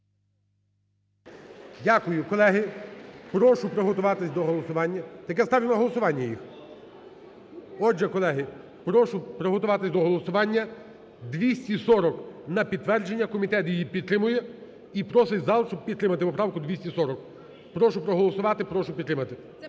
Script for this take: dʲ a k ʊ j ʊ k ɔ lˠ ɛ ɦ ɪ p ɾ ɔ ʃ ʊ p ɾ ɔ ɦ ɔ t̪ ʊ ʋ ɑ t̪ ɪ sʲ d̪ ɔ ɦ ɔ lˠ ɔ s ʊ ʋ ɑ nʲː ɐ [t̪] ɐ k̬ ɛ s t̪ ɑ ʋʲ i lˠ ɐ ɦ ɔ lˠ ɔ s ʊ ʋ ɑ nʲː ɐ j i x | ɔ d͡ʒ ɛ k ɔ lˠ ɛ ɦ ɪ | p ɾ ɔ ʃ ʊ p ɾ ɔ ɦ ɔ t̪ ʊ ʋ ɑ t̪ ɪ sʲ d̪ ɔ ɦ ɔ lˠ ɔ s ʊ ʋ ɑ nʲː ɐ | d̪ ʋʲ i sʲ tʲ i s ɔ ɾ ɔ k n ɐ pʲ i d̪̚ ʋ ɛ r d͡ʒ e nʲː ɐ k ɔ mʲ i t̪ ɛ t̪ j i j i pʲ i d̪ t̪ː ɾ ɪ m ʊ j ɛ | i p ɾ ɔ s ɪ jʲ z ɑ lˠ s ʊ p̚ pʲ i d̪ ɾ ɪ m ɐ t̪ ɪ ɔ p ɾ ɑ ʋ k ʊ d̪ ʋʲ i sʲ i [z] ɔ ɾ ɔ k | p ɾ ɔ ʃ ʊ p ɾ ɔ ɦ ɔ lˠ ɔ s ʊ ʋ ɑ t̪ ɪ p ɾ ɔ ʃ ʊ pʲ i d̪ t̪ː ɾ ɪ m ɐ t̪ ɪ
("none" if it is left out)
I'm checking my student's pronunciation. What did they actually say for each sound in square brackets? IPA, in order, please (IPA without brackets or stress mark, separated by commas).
t̪, s